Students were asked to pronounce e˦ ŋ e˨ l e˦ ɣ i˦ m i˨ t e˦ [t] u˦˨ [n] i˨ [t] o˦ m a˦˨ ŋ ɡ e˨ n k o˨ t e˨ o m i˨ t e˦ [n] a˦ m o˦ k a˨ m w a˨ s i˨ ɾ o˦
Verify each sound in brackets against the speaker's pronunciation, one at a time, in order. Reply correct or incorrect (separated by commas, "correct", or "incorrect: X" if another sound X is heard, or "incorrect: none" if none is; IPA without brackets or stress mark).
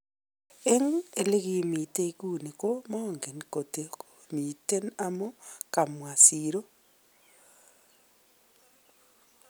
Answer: incorrect: k, correct, incorrect: k, correct